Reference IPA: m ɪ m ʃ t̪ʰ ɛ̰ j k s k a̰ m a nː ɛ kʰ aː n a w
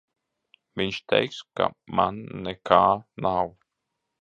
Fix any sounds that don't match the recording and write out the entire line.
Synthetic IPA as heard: m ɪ n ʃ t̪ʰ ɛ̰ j k s k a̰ m a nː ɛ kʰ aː n a w